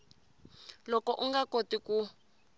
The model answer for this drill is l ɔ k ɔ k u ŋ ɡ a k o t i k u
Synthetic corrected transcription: l ɔ k ɔ ʔ u ŋ ɡ a k o t i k u